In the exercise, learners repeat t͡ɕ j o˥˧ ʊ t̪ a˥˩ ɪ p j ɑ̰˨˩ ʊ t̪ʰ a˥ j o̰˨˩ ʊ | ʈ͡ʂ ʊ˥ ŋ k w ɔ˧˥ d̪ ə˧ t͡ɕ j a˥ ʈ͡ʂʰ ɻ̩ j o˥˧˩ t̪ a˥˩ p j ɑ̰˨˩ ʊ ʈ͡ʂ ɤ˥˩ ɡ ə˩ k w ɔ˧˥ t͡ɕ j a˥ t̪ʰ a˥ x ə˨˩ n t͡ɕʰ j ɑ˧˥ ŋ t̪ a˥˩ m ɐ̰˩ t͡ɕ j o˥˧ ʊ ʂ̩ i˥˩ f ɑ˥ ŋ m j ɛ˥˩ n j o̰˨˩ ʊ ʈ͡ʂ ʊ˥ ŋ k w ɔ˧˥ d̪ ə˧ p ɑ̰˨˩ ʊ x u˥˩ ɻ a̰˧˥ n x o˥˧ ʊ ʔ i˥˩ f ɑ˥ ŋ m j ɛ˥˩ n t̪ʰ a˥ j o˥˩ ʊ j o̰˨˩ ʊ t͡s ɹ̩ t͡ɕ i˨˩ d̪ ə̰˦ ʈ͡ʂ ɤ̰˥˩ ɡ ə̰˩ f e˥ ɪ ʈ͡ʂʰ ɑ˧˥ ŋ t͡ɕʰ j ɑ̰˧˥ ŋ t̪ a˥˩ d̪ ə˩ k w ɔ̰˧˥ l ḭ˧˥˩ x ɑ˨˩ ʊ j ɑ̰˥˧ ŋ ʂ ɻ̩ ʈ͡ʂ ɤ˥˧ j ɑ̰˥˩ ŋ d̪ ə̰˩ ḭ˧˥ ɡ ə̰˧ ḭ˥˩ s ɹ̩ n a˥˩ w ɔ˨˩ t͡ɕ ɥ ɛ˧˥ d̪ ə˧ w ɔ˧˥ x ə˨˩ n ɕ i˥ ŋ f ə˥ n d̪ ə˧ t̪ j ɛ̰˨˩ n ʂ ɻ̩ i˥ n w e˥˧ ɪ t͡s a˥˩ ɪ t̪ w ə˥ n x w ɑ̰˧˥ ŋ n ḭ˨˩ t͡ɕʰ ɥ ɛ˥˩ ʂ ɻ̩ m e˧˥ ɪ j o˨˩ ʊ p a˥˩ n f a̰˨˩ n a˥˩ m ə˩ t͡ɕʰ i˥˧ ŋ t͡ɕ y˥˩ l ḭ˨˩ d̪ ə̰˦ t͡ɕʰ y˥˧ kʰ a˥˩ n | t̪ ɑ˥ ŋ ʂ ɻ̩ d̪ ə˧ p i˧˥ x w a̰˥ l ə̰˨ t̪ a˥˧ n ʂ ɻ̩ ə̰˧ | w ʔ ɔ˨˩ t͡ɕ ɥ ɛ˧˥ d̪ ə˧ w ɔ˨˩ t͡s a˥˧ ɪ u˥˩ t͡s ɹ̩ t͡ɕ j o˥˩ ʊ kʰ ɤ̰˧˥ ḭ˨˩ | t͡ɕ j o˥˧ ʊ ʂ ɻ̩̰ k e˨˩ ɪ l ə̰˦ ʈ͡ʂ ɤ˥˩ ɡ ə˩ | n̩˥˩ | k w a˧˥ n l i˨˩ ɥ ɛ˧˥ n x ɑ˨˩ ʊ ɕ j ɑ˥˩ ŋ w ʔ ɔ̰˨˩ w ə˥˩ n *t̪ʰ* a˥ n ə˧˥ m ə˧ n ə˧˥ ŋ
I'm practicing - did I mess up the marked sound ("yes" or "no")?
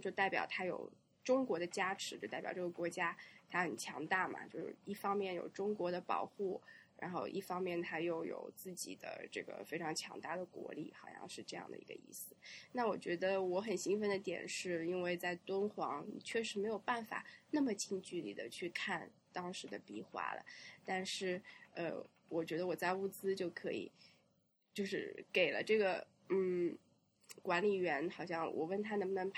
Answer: no